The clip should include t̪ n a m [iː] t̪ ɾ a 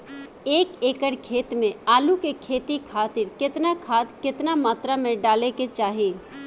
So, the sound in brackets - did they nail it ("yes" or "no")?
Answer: no